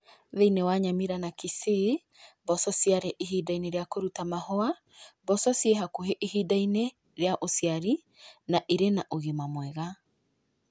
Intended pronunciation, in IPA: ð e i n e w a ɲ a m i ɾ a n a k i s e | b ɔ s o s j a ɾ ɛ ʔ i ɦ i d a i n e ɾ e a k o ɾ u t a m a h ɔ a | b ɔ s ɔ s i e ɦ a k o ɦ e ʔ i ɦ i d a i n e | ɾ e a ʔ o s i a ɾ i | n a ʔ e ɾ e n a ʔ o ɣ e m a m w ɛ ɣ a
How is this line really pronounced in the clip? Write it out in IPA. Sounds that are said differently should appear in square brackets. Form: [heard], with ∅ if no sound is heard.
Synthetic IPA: ð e i n e w a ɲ a m i ɾ a n a k i s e | b ɔ s [ɔ] s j a ɾ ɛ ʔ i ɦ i d a i n e ɾ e a k o ɾ u t a m a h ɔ a | b ɔ s ɔ s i e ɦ a k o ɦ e ʔ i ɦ i d a i n e | ɾ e a ʔ o s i a ɾ i | n a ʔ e ɾ e n a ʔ o ɣ e m a m w ɛ ɣ a